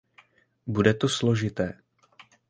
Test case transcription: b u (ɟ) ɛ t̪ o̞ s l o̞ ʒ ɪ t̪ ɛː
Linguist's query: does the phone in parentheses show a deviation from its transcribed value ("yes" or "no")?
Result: yes